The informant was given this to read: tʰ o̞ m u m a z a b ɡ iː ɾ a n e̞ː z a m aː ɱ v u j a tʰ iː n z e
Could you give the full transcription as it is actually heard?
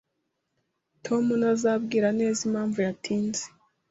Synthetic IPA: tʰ o̞ m u n a z a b ɡ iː ɾ a n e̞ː z i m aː ɱ v u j a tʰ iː n z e

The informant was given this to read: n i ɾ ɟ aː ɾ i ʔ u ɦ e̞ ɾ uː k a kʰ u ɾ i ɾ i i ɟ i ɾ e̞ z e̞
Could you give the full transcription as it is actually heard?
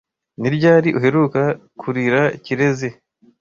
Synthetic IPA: n i ɾ ɟ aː ɾ i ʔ u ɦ e̞ ɾ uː k a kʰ u ɾ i ɾ a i c i ɾ e̞ z e̞

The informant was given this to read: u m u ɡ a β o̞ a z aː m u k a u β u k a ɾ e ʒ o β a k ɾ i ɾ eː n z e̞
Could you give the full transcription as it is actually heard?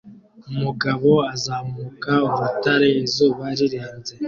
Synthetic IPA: u m u ɡ a β o̞ a z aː m u k a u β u t a ɾ e z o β a ɾ i ɾ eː n z e̞

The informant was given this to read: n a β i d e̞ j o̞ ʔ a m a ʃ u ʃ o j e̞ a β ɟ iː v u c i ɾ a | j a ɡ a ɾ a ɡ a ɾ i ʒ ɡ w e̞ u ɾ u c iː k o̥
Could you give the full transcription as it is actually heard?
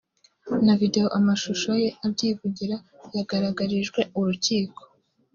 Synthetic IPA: n a v i d e̞ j o̞ ʔ a m a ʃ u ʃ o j e̞ a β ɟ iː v u ɟ i ɾ a | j a ɡ a ɾ a ɡ a ɾ i ʒ ɡ w e̞ u ɾ u c iː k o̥

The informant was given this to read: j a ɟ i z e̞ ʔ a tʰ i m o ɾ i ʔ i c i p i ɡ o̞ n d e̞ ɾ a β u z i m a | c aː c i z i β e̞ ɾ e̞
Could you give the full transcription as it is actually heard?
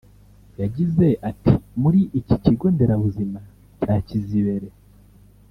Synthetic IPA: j a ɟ i z e̞ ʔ a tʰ i m u ɾ i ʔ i c i c i ɡ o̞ n d e̞ ɾ a β u z i m a | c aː c i z i β e̞ ɾ e̞

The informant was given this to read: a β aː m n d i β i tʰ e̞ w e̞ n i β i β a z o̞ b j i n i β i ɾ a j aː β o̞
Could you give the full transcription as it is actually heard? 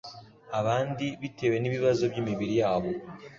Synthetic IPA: a β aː n d i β i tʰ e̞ w e̞ n i β i β a z o̞ b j i m i β i ɾ i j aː β o̞

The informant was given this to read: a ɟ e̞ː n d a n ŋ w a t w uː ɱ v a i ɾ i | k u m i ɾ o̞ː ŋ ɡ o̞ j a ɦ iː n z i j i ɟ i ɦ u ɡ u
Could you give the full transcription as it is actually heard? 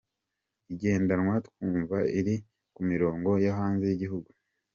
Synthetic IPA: i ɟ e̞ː n d a n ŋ w a t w uː ɱ v a i ɾ i | k u m i ɾ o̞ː ŋ ɡ o̞ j a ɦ aː n z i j i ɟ i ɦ u ɡ u

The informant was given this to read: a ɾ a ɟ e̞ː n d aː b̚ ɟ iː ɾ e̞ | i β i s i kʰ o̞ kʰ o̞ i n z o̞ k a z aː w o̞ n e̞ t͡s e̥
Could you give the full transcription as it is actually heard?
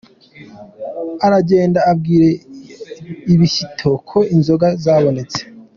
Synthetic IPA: a ɾ a ɟ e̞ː n d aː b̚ ɡ iː ɾ e̞ | i β i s i tʰ o̞ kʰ o̞ i n z o̞ ɡ a z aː β o̞ n e̞ t͡s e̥

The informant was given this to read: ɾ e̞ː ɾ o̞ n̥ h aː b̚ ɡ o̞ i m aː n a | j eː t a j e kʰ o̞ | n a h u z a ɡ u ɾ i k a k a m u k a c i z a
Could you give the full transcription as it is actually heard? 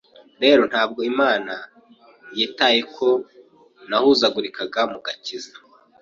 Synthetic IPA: ɾ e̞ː ɾ o̞ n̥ h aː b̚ ɡ o̞ i m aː n a | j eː t a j e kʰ o̞ | n a h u z a ɡ u ɾ i k a ɡ a m u ɡ a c i z a

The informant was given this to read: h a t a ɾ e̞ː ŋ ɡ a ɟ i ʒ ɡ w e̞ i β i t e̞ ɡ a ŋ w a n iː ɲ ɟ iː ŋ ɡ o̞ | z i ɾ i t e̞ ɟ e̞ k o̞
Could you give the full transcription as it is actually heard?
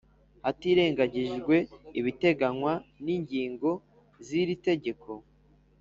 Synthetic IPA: h a t i ɾ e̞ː ŋ ɡ a ɟ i ʒ ɡ w e̞ i β i t e̞ ɡ a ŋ w a n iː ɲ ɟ iː ŋ ɡ o̞ | z i ɾ i t e̞ ɟ e̞ k o̞

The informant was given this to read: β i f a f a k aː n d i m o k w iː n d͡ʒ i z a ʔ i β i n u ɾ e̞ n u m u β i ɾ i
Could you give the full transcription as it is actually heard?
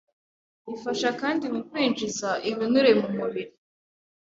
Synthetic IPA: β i f a ʃ a k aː n d i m u k w iː n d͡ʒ i z a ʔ i β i n u ɾ e̞ m u m u β i ɾ i

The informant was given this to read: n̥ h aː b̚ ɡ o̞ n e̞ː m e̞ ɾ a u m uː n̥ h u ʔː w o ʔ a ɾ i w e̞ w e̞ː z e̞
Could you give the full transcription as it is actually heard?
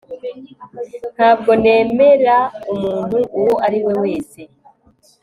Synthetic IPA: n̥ h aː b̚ ɡ o̞ n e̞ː m e̞ ɾ a u m uː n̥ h u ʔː w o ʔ a ɾ i w e̞ w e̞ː s e̞

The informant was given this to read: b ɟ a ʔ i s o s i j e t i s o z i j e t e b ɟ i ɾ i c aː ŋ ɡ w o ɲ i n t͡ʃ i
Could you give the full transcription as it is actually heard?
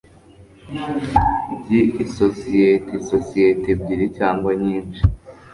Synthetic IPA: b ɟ i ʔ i s o s i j e t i s o s i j e t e b ɟ i ɾ i c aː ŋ ɡ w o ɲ iː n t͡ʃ i

